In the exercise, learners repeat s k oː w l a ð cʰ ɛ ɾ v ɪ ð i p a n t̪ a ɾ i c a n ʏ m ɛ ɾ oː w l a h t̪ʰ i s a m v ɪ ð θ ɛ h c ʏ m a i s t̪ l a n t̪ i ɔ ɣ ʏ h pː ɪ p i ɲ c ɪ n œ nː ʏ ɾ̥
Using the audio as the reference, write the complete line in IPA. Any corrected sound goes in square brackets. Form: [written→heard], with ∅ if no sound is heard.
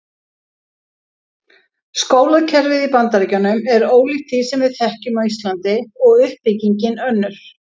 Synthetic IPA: s k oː w l a ð cʰ ɛ ɾ v ɪ ð i p a n t̪ a ɾ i c a n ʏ m ɛ ɾ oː w l [a→i] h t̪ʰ i s [a→ɛ] m v ɪ ð θ ɛ h c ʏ m a i s t̪ l a n t̪ [i→ɪ] ɔ ɣ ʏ h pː ɪ [p→c] i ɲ c ɪ n œ nː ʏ ɾ̥